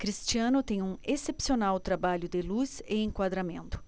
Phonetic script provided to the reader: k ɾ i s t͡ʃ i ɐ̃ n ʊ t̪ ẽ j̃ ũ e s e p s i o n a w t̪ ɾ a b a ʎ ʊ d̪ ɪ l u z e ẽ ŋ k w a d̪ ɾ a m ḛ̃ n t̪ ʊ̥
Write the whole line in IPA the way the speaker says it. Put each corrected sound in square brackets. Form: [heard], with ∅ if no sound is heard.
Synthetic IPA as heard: k ɾ i s t͡ʃ i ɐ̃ n ʊ t̪ ẽ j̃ ũ e s e p s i o n a w t̪ ɾ a b a ʎ ʊ d̪ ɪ l u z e ẽ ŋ k w a d̪ ɾ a m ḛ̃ n t̪ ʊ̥

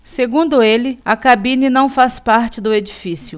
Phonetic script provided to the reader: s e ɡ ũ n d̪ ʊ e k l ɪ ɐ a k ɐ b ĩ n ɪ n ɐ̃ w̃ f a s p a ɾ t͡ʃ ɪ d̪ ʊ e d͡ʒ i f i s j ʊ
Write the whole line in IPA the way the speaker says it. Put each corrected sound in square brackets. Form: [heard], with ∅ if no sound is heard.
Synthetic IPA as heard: s e ɡ ũ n d̪ ʊ e [∅] l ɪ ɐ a k [a] b ĩ n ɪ n ɐ̃ w̃ f a s p a ɾ t͡ʃ ɪ d̪ ʊ e d͡ʒ i f i s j ʊ

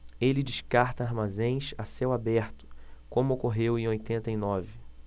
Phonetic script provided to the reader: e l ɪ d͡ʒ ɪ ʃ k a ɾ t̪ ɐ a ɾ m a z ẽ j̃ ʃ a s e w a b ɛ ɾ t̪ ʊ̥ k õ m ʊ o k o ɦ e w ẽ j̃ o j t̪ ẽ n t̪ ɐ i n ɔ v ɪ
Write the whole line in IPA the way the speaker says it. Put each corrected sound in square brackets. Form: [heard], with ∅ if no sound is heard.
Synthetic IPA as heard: e l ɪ d͡ʒ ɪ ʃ k a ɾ t̪ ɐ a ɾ m a z ẽ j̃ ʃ a s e w a b ɛ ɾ t̪ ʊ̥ k õ m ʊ o k o ɦ e w ẽ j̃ o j t̪ ẽ n t̪ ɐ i n ɔ v ɪ

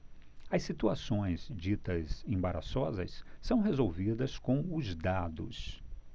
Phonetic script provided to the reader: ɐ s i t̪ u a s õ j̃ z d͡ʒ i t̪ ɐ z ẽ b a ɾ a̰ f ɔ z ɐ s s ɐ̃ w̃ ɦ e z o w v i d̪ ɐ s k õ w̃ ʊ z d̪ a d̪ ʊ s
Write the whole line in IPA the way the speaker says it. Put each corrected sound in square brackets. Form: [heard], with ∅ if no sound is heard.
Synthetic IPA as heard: ɐ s i t̪ u a s õ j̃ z d͡ʒ i t̪ ɐ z ẽ b a ɾ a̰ [s] ɔ z ɐ s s ɐ̃ w̃ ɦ e z o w v i d̪ ɐ s k õ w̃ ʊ z d̪ a d̪ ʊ s

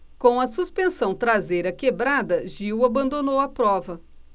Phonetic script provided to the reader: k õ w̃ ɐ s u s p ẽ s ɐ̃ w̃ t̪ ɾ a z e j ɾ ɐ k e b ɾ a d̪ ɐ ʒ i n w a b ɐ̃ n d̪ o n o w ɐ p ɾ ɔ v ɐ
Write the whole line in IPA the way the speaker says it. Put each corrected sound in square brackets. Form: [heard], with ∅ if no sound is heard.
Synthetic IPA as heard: k õ w̃ ɐ s u s p ẽ s ɐ̃ w̃ t̪ ɾ a z e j ɾ ɐ k e b ɾ a d̪ ɐ ʒ i [∅] w a b ɐ̃ n d̪ o n o w ɐ p ɾ ɔ v ɐ

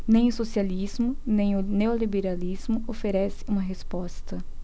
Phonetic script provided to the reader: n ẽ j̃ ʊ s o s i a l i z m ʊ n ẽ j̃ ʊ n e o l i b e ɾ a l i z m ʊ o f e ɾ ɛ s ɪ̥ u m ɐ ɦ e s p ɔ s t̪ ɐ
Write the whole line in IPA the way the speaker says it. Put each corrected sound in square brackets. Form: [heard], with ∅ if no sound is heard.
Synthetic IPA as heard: n ẽ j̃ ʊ s o s i a l i z m ʊ n ẽ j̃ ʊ n e o l i b e ɾ a l i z m ʊ o f e ɾ ɛ s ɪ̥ [ũ] m ɐ ɦ e s p ɔ s t̪ ɐ

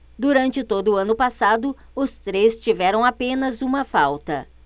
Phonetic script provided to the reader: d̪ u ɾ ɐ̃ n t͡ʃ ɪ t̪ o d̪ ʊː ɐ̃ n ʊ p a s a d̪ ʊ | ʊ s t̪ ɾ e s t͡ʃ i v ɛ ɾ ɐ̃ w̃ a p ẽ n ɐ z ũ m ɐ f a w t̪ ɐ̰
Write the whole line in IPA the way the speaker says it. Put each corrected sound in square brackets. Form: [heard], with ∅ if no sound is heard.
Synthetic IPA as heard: d̪ u ɾ ɐ̃ n t͡ʃ ɪ t̪ o d̪ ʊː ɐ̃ n ʊ p a s a d̪ ʊ | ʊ s t̪ ɾ e s t͡ʃ i v ɛ ɾ ɐ̃ w̃ a p ẽ n ɐ z ũ m ɐ f a w t̪ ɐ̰

